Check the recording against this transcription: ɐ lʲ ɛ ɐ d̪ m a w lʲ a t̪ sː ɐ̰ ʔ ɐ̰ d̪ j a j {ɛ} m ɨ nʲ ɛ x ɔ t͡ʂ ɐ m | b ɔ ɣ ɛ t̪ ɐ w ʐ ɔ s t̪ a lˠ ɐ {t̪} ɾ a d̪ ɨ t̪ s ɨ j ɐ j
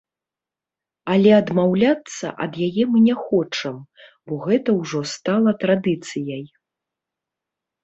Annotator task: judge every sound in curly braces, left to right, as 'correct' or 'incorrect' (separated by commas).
correct, correct